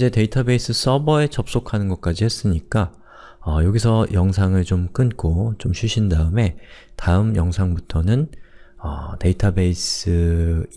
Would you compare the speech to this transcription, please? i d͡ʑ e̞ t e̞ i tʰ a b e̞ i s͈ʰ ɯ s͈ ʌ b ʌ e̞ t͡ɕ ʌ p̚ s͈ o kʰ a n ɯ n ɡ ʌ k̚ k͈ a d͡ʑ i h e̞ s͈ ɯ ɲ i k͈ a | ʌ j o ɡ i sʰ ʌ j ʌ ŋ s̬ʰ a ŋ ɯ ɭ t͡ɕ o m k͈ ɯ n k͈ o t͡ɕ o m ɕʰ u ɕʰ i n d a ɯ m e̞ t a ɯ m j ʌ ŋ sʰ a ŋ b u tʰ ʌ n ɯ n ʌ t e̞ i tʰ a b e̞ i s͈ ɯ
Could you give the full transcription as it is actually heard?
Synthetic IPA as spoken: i d͡ʑ e̞ t e̞ i tʰ a b e̞ i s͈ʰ ɯ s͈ ʌ b ʌ e̞ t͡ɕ ʌ p̚ s͈ o kʰ a n ɯ n ɡ ʌ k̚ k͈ a d͡ʑ i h e̞ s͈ ɯ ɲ i k͈ a | ʌ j o ɡ i sʰ ʌ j ʌ ŋ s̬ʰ a ŋ ɯ ɭ t͡ɕ o m k͈ ɯ n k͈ o t͡ɕ o m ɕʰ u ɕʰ i n d a ɯ m e̞ t a ɯ m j ʌ ŋ sʰ a ŋ b u tʰ ʌ n ɯ n ʌ t e̞ i tʰ a b e̞ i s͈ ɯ